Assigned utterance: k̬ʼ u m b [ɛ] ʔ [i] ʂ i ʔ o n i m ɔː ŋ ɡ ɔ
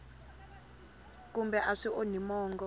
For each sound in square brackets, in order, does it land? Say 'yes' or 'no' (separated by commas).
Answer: yes, no